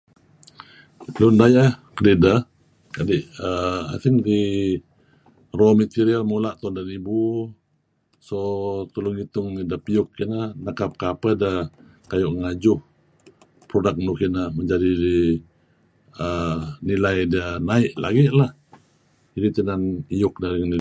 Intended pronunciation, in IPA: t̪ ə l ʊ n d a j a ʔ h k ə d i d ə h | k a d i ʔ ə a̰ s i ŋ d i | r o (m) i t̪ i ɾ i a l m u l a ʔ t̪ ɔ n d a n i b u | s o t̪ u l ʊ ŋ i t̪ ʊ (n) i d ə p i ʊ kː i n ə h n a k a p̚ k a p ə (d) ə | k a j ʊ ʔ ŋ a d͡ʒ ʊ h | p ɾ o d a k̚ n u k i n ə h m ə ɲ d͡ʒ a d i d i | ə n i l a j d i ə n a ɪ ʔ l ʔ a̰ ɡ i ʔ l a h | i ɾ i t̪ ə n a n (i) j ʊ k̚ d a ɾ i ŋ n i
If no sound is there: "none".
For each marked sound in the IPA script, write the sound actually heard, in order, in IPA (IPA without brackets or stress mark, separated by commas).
m, ŋ, d, i